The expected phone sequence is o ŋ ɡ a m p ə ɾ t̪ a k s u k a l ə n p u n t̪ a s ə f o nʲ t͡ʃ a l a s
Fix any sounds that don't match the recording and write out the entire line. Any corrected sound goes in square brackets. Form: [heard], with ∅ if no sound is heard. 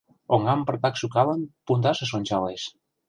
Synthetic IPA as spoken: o ŋ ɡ a m p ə ɾ t̪ a k s u k a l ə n p u n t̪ a s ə [s] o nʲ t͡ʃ a l [e] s